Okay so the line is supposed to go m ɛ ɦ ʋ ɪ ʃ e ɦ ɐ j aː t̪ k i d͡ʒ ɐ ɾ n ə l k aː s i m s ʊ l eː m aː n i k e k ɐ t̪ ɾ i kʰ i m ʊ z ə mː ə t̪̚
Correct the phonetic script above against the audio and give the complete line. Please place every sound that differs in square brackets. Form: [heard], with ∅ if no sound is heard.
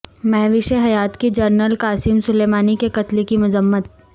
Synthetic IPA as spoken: m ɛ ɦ ʋ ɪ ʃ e ɦ ɐ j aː t̪ k i d͡ʒ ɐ ɾ n ə l k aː s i m s ʊ l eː m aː n i k e k ɐ t̪ [l] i [k] i m ʊ z ə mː ə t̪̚